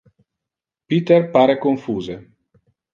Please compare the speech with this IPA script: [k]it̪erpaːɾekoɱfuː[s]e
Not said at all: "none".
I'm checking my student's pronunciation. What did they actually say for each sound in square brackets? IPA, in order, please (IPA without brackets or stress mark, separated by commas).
p, z